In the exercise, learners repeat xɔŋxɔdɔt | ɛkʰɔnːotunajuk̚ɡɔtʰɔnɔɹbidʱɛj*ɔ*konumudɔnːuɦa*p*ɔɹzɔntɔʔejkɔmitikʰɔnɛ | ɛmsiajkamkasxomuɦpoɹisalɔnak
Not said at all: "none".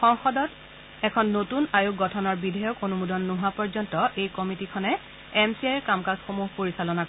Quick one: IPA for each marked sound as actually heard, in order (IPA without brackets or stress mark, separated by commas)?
ɔ, p